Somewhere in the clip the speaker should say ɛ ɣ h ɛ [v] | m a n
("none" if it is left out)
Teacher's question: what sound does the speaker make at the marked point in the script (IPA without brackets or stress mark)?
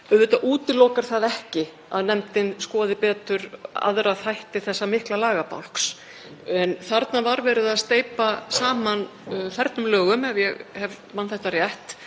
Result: v